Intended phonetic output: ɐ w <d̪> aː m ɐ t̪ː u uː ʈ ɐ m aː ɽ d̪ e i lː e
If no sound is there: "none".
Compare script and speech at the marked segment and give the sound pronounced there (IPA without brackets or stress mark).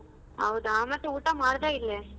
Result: d̪